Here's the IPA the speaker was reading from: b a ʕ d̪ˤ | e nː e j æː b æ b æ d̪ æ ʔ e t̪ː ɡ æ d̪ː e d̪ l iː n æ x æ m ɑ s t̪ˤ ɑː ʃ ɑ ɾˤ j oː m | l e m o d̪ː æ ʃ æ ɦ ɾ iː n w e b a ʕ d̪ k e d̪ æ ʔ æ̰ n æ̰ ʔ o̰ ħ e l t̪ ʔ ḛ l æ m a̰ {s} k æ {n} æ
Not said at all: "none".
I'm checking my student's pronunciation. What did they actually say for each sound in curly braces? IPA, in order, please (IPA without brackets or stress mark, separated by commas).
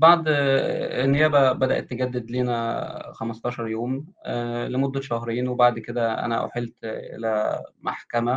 ħ, m